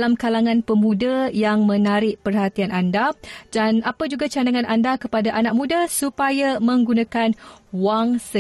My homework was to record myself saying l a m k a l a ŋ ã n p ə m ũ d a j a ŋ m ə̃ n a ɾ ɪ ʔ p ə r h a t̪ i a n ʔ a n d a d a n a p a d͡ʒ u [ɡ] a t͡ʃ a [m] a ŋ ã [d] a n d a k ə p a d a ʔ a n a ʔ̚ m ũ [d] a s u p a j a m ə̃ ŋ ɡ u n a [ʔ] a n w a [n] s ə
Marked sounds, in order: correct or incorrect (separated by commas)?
correct, incorrect, incorrect, correct, incorrect, incorrect